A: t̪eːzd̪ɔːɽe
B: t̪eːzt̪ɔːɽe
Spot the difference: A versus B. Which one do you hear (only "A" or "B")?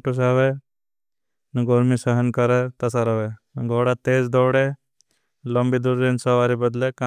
A